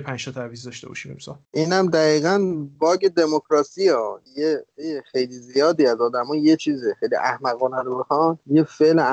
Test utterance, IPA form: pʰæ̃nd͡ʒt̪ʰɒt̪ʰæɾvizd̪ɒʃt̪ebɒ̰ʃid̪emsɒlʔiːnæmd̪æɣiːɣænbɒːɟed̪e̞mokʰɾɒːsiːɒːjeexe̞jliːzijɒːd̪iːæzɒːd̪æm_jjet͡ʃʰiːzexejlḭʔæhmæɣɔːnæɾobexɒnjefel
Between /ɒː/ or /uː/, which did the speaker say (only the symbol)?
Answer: ɒː